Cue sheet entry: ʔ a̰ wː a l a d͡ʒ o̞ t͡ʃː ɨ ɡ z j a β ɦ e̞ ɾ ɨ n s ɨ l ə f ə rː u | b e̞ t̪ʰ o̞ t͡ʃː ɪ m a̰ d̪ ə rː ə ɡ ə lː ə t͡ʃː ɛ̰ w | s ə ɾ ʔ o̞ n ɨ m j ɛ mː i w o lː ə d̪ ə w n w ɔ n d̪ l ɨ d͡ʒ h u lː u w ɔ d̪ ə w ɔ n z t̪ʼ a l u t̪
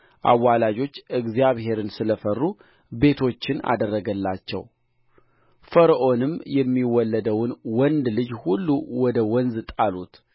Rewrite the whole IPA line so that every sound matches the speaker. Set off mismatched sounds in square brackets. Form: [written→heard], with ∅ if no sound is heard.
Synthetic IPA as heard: ʔ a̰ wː a l a d͡ʒ o̞ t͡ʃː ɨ ɡ z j a β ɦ e̞ ɾ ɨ n s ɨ l ə f ə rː u | b e̞ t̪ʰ o̞ t͡ʃː ɪ [m→n] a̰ d̪ ə rː ə ɡ ə lː [ə→a] t͡ʃː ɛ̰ w | [s→f] ə ɾ ʔ o̞ n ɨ m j ɛ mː i w [o→ɔ] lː ə d̪ ə w n w ɔ n d̪ l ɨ d͡ʒ h u lː u w ɔ d̪ ə w ɔ n z t̪ʼ a l u t̪